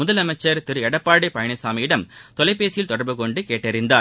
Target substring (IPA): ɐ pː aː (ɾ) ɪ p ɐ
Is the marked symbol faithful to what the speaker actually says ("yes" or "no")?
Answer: no